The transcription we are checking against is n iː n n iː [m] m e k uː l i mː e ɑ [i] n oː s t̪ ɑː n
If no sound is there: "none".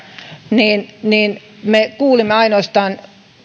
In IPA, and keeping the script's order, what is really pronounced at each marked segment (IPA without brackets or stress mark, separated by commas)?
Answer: n, i